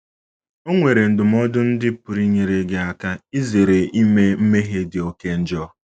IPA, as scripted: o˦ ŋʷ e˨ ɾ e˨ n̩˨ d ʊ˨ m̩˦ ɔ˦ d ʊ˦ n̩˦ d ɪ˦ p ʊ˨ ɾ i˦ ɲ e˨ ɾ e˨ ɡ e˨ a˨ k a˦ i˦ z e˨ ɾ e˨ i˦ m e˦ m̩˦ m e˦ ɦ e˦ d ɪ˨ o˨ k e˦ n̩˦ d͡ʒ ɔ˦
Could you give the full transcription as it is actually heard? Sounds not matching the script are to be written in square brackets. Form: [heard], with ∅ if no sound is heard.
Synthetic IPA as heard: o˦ ŋʷ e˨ ɾ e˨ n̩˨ d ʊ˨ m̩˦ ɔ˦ d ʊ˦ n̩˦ d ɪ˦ p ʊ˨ ɾ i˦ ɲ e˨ ɾ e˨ ɡ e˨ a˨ k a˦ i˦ z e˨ ɾ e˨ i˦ m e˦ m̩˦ m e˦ ɦ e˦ d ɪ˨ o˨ k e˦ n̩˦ d͡ʒ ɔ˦